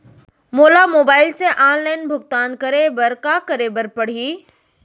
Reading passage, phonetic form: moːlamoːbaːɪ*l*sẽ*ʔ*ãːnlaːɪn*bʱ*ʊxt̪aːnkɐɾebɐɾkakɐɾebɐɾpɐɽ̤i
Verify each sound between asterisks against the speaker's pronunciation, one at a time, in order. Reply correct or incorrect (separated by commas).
correct, correct, correct